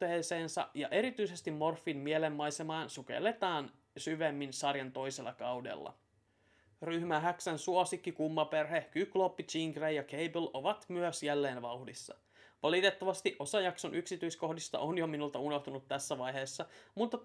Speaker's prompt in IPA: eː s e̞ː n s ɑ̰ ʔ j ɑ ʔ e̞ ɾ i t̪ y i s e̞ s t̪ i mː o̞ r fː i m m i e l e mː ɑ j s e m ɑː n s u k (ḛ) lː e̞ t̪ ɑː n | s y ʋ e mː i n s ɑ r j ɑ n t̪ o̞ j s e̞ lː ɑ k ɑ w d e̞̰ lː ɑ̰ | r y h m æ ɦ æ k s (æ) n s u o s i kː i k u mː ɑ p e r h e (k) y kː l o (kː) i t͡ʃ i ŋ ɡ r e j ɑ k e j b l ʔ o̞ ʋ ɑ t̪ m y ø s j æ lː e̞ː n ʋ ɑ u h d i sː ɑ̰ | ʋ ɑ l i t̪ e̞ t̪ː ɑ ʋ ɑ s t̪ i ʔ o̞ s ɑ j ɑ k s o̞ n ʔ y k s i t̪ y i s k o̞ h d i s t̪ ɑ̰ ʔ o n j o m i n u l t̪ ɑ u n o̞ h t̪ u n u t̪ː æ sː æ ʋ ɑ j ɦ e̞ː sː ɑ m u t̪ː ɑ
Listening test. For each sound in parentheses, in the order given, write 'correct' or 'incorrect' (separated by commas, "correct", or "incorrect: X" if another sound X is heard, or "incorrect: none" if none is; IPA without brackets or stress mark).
correct, correct, correct, incorrect: pː